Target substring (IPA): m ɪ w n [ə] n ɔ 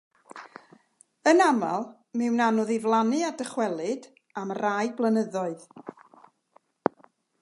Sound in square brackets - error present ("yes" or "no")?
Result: yes